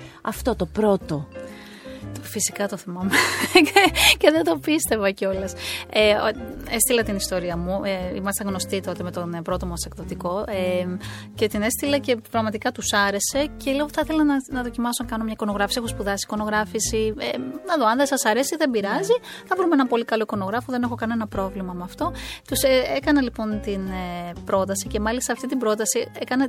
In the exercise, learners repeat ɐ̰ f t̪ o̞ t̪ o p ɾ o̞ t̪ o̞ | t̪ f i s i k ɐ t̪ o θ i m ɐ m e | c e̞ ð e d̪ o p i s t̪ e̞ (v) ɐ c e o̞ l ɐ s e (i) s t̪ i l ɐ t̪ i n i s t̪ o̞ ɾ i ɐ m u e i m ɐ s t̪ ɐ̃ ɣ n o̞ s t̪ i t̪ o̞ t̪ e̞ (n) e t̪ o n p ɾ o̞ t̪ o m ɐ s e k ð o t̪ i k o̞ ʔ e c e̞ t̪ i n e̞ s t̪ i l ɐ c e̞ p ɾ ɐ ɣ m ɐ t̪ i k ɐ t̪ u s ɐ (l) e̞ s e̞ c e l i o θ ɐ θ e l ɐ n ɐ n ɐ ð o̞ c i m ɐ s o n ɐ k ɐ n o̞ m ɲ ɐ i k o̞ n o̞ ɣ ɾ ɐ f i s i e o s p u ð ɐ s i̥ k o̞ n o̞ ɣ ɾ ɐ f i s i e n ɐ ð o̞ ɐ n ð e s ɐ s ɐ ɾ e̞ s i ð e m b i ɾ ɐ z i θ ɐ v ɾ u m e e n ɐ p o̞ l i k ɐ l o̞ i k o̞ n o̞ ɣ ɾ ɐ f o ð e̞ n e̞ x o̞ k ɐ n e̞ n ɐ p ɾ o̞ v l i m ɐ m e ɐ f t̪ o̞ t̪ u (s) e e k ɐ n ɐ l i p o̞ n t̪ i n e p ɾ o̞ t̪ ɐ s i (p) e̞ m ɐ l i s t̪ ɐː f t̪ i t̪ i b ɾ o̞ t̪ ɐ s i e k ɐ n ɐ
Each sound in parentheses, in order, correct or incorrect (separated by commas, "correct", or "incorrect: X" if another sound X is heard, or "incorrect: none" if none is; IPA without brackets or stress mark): correct, incorrect: e, incorrect: m, incorrect: ɾ, correct, incorrect: c